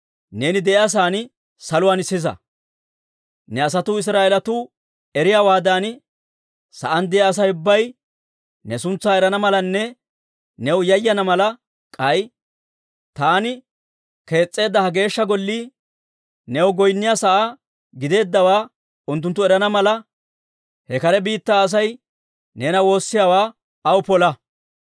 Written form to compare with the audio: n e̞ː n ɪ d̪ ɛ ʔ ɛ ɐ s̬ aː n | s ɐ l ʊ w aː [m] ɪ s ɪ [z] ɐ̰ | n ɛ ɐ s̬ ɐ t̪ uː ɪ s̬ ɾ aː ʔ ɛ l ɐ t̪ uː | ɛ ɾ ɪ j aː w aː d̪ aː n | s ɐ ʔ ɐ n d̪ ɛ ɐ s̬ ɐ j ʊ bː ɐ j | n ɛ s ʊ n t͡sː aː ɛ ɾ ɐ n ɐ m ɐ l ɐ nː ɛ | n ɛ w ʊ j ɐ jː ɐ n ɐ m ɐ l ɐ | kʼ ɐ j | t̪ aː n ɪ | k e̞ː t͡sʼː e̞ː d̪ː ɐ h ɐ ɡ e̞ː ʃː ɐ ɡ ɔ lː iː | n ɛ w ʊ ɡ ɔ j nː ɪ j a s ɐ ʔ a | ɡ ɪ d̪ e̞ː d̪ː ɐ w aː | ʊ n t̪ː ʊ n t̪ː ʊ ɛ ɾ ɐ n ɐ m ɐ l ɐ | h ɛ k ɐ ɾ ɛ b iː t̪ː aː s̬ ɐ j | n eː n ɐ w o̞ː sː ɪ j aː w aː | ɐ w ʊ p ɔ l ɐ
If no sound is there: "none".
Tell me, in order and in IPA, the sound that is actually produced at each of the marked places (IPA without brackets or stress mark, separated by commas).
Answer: n, z